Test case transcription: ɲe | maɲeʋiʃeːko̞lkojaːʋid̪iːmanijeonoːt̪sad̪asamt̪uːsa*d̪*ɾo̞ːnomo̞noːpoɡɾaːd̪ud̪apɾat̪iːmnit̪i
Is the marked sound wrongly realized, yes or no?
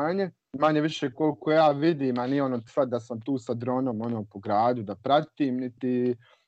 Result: no